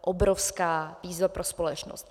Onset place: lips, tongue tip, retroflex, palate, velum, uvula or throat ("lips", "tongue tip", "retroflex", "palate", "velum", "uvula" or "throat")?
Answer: throat